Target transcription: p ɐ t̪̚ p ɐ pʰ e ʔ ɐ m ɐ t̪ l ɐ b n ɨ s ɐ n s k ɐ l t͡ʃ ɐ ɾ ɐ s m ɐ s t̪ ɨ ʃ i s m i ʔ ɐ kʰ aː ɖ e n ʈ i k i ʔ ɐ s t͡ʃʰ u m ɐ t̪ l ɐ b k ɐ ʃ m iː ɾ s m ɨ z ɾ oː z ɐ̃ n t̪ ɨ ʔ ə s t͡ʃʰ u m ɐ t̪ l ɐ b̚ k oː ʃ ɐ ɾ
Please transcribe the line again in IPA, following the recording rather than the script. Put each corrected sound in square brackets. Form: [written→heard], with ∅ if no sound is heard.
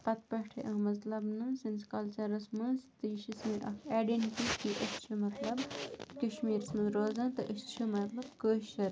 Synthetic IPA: p ɐ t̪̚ p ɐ [pʰ→ʈʰ] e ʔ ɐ m ɐ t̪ l ɐ b n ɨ s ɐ n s k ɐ l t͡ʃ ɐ ɾ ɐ s m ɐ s t̪ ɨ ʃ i s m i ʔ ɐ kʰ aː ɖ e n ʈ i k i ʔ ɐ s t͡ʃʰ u m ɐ t̪ l ɐ b k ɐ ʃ m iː ɾ s m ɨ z ɾ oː z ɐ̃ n t̪ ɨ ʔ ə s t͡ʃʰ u m ɐ t̪ l ɐ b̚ k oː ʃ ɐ ɾ